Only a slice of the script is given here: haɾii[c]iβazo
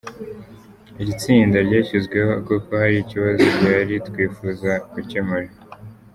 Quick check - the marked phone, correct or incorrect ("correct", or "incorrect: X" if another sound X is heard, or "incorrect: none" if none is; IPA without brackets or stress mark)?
correct